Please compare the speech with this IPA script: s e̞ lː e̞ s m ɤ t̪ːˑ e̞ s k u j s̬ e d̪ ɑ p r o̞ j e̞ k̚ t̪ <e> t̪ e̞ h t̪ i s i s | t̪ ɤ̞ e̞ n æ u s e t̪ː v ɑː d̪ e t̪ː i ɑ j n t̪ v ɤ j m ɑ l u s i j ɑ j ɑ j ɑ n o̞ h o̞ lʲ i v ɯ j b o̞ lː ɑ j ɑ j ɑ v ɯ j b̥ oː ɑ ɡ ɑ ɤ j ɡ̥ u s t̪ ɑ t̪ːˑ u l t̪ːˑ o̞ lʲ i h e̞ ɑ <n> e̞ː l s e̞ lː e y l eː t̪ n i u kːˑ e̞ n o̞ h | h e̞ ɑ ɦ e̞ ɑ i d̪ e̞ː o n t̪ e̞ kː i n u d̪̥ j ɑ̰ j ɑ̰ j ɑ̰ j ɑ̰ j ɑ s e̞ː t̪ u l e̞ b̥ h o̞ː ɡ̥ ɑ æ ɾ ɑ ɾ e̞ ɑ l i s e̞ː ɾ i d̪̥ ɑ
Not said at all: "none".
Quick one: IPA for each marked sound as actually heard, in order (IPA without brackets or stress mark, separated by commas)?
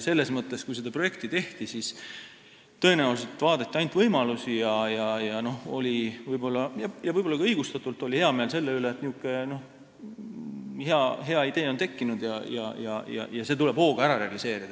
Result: i, m